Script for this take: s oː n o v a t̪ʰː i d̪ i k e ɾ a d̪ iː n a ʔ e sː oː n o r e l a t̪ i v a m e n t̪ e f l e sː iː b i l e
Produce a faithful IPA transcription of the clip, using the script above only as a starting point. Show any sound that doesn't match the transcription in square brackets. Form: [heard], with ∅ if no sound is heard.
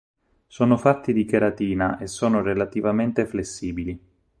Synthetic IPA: s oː n o [f] a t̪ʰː i d̪ i k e ɾ a [t̪] iː n a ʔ e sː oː n o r e l a t̪ i v a m e n t̪ e f l e sː iː b i l [i]